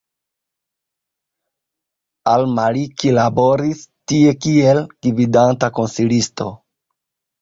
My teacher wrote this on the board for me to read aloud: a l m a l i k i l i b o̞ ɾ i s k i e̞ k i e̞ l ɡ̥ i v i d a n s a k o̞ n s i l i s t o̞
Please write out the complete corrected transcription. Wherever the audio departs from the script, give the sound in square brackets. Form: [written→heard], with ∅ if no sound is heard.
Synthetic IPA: a l m a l i k i l [i→a] b o̞ ɾ i s [k→t] i e̞ k i e̞ l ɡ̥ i v i d a n [s→t] a k o̞ n s i l i s t o̞